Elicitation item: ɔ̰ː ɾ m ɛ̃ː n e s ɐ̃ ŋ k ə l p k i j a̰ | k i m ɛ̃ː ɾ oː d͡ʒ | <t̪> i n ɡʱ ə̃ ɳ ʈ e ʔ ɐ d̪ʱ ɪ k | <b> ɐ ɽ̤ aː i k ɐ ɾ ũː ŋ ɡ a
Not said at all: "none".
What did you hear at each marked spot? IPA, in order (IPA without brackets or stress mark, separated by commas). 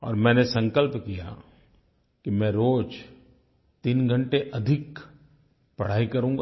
t̪, p